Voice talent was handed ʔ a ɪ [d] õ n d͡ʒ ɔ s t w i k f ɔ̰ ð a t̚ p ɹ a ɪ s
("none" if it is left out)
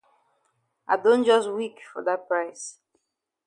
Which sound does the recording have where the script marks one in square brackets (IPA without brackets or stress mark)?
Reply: d